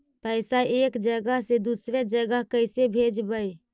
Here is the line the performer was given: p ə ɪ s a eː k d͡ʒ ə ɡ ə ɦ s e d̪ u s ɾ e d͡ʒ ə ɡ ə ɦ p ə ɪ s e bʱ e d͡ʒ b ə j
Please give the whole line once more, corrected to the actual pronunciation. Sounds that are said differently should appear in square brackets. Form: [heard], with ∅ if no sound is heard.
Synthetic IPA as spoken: p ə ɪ s a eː k d͡ʒ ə ɡ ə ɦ s e d̪ u s ɾ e d͡ʒ ə ɡ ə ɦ [k] ə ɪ s e bʱ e d͡ʒ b ə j